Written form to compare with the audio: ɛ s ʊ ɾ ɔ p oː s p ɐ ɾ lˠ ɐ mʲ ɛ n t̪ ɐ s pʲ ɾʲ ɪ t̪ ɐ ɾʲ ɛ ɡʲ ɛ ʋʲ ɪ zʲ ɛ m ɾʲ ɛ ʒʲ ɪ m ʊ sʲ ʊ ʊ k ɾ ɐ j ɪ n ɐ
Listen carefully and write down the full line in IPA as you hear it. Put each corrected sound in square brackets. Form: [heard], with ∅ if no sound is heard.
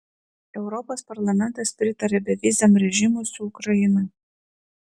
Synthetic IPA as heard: ɛ [∅] ʊ ɾ ɔ p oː s p ɐ ɾ lˠ ɐ mʲ ɛ n t̪ ɐ s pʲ ɾʲ ɪ t̪ ɐ ɾʲ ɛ [bʲ] ɛ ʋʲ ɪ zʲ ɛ m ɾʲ ɛ ʒʲ ɪ m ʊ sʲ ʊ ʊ k ɾ ɐ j ɪ n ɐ

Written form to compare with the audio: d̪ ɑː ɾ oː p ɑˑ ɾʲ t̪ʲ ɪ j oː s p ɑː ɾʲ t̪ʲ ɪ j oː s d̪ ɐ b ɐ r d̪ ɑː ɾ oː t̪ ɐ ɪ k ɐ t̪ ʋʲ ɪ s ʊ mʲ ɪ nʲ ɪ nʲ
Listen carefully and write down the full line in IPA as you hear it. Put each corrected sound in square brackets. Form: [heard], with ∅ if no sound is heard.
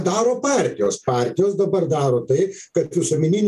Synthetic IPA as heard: d̪ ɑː ɾ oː p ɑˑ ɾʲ t̪ʲ ɪ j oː s p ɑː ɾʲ t̪ʲ ɪ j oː s d̪ ɐ b ɐ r d̪ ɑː ɾ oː t̪ ɐ ɪ k ɐ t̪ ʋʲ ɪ s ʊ mʲ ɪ nʲ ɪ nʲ

